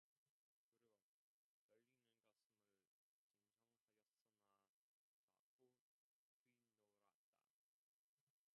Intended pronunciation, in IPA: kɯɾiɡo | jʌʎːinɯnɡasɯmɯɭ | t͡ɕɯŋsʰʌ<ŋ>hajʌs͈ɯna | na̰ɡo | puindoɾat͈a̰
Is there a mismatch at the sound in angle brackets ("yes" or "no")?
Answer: no